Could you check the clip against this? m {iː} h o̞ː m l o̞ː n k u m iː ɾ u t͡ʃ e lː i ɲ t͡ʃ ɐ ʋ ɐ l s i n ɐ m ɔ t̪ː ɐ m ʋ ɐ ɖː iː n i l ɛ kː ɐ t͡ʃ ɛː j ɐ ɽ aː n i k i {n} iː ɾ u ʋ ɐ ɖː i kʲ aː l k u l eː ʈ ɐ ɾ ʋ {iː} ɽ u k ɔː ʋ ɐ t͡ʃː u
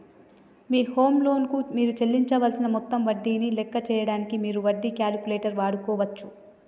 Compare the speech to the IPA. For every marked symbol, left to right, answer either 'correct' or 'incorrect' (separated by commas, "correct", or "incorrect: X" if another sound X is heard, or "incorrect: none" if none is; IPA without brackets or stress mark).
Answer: correct, incorrect: m, incorrect: aː